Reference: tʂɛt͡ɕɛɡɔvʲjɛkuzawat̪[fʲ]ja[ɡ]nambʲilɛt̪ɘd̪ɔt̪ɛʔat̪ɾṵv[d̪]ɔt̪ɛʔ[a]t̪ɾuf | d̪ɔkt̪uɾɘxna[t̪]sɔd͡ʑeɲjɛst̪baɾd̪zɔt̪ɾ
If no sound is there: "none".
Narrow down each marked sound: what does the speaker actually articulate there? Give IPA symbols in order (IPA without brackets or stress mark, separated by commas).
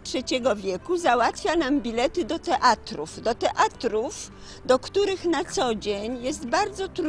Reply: fʲ, none, d̪, a, t̪